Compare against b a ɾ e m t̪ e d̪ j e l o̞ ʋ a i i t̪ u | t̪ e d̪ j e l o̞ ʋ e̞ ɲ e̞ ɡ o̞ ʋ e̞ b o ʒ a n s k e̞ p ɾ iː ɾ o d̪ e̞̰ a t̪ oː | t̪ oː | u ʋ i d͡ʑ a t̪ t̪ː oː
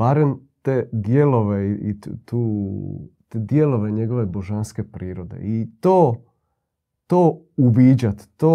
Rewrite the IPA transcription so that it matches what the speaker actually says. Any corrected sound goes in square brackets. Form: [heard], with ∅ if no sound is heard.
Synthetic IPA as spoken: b a ɾ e m t̪ e d̪ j e l o̞ ʋ [e] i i t̪ u | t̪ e d̪ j e l o̞ ʋ e̞ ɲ e̞ ɡ o̞ ʋ e̞ b o ʒ a n s k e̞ p ɾ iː ɾ o d̪ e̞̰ [i] t̪ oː | t̪ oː | u ʋ i d͡ʑ a t̪ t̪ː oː